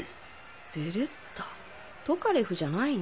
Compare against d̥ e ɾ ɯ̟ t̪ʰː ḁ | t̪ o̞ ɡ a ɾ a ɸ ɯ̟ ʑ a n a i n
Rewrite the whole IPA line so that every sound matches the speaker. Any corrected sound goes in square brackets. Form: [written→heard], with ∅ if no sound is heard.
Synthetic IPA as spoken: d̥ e ɾ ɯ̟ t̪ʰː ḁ | t̪ o̞ [ɡ→k] a ɾ [a→e] ɸ ɯ̟ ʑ a n a i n